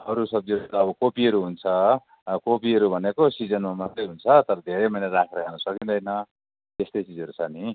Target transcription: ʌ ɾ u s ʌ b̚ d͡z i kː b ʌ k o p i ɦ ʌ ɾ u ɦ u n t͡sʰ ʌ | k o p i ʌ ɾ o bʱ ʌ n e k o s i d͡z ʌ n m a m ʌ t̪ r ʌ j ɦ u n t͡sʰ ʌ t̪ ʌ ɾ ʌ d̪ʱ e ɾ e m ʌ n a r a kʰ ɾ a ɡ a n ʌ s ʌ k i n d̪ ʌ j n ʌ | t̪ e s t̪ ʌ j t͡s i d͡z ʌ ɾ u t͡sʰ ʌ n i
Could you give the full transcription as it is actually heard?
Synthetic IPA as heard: ʌ ɾ u s ʌ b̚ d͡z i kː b ʌ k o p i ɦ ʌ ɾ u ɦ u n t͡sʰ ʌ | k o p i ʌ ɾ u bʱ ʌ n e k o s i d͡z ʌ n m a m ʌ t̪ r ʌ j ɦ u n t͡sʰ ʌ t̪ ʌ ɾ ʌ d̪ʱ e ɾ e m ʌ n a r a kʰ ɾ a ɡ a n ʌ s ʌ k i n d̪ ʌ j n ʌ | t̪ e s t̪ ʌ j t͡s i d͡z ʌ ɾ u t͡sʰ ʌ n i